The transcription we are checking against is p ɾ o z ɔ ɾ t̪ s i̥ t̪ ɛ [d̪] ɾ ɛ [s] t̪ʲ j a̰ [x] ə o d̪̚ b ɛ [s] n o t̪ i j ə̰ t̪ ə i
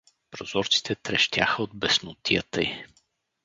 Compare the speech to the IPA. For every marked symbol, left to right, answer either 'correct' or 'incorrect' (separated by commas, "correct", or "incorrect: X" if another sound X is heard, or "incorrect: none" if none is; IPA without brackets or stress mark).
incorrect: t̪, incorrect: ʃ, correct, correct